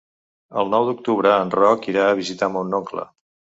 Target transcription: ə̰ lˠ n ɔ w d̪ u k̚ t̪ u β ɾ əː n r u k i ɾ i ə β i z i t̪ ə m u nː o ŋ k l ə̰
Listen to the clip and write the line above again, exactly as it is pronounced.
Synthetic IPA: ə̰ lˠ n ɔ w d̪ u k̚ t̪ u β ɾ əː n r ɔ k i ɾ a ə β i z i t̪ a m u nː o ŋ k l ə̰